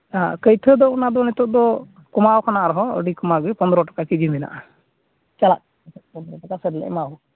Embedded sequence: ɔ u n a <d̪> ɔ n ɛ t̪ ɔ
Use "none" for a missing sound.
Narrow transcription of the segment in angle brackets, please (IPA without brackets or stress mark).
d̪